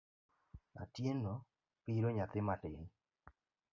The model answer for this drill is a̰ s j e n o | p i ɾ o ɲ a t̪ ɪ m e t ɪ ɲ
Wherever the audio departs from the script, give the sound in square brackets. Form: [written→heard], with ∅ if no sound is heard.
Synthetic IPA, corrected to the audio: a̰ [s→t] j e n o | p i ɾ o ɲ a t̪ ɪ m [e→a] t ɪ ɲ